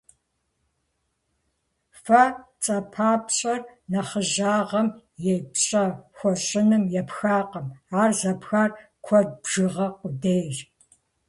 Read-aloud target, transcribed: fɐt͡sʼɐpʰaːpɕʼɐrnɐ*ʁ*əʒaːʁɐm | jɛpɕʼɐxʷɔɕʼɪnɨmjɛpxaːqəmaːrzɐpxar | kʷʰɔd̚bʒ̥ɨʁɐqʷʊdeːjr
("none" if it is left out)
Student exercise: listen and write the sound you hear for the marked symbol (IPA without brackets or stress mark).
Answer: χ